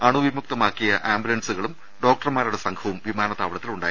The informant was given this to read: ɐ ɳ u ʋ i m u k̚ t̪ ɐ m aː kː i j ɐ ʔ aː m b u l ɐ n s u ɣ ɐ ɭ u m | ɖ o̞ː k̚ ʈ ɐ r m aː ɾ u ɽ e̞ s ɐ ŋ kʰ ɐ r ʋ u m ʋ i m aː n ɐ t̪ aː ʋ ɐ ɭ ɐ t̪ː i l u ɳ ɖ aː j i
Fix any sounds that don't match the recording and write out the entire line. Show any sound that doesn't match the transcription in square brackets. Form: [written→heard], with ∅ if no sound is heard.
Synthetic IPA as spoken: ɐ ɳ u ʋ i m u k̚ t̪ ɐ m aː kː i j ɐ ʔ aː m b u l ɐ n s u ɣ ɐ ɭ u m | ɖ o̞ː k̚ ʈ ɐ r m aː ɾ u ɽ e̞ s ɐ ŋ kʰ ɐ [r→∅] ʋ u m ʋ i m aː n ɐ t̪ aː ʋ ɐ ɭ ɐ t̪ː i l u ɳ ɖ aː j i